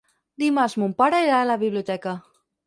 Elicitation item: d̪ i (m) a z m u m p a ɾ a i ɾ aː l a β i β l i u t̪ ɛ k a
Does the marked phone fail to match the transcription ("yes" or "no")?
no